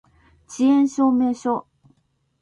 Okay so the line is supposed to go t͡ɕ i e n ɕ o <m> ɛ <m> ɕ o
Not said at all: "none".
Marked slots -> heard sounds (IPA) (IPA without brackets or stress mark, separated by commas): m, none